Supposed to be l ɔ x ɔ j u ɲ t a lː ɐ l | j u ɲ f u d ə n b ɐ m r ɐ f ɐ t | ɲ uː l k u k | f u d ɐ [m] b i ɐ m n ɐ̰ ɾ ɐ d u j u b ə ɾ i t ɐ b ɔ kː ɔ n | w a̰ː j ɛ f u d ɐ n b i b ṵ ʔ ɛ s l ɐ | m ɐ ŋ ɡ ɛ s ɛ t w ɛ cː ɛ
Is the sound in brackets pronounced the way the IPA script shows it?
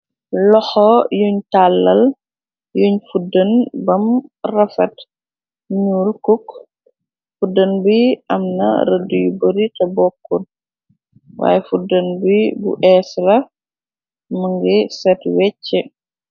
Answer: no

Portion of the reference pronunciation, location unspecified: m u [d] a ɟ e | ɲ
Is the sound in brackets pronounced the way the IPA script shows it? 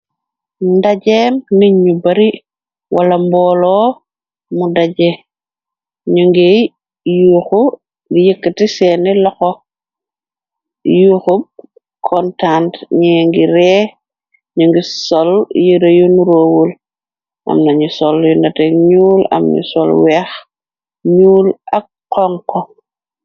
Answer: yes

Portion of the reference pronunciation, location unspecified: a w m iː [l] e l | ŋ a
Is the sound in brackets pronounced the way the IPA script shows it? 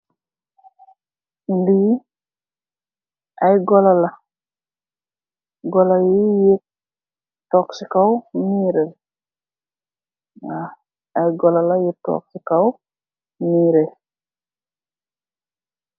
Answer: no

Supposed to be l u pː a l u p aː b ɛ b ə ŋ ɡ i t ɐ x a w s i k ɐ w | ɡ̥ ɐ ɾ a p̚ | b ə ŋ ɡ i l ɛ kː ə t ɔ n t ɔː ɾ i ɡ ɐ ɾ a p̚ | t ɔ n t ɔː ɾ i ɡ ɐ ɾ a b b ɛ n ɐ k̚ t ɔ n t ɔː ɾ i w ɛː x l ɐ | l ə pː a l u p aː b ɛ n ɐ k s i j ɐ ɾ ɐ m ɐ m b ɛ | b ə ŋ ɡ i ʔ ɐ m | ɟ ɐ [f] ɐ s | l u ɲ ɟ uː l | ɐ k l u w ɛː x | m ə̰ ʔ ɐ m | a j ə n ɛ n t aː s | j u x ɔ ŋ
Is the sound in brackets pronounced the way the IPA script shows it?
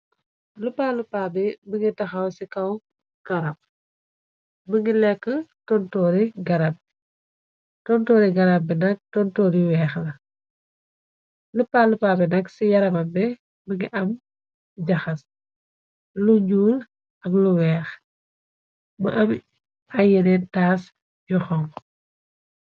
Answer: no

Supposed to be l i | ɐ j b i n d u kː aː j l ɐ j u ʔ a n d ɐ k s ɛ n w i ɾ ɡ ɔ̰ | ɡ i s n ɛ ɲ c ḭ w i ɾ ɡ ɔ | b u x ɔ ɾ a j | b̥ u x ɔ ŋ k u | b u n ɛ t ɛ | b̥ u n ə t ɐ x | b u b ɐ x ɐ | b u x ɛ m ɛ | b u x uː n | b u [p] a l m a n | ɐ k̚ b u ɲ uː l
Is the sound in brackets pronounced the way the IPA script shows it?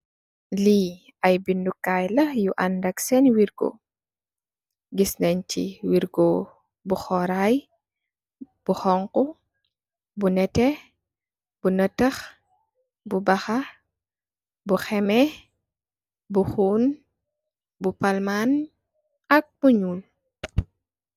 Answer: yes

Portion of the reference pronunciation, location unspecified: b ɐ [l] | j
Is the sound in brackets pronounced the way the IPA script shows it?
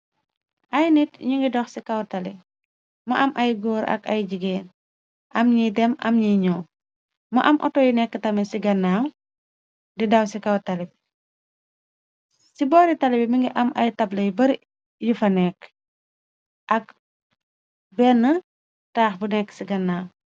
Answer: no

